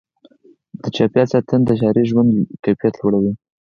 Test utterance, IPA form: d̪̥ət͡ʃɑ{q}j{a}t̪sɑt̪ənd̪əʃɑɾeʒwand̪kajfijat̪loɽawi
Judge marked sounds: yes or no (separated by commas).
no, no